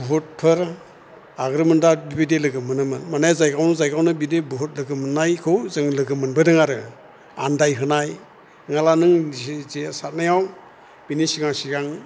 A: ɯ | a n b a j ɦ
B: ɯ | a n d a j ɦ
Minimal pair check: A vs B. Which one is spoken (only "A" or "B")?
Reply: B